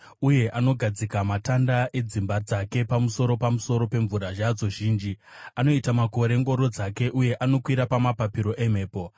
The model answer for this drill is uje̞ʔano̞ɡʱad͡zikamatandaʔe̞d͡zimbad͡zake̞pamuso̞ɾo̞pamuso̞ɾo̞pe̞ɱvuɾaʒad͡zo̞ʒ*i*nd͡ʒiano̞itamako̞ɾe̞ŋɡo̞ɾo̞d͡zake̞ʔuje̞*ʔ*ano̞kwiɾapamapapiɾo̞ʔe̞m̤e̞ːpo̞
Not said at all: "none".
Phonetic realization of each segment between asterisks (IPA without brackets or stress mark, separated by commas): iː, ʔ